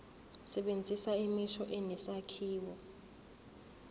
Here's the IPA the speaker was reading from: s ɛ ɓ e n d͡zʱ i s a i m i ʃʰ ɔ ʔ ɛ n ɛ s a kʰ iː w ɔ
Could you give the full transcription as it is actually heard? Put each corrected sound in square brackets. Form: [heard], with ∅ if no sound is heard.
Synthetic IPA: s ɛ ɓ e n d͡zʱ i s a i m i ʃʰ ɔ ʔ ɛ n ɛ s a kʰ iː w ɔ